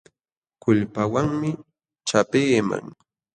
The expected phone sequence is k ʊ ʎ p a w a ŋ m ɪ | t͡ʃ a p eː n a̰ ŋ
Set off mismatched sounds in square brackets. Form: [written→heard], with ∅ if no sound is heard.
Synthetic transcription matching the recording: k ʊ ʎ p a w a ŋ m ɪ | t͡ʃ a p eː [n→m] a̰ ŋ